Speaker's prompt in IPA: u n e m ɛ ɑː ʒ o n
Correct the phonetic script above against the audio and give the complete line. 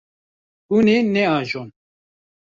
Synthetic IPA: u n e n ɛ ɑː ʒ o n